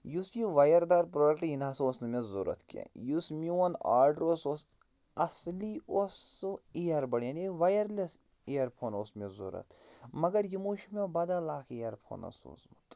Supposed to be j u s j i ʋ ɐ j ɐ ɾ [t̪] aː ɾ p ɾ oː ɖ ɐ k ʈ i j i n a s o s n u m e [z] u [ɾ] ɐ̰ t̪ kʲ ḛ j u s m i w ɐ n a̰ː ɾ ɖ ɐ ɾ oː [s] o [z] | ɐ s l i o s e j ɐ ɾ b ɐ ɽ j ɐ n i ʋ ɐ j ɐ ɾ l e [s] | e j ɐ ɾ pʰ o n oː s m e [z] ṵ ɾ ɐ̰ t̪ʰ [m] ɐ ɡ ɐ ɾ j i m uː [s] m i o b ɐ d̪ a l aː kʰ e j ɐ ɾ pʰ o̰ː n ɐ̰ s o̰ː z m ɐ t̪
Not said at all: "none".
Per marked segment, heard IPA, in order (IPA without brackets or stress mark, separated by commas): d̪, z, ɾ, s, s, s, z, m, ʃ